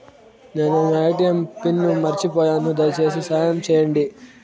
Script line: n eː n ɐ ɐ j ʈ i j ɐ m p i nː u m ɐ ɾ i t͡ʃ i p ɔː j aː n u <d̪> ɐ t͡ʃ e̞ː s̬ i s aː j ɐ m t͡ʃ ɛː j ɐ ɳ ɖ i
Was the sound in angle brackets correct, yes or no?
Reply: yes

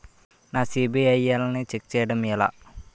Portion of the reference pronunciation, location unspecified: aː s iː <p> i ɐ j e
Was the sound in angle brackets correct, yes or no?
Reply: no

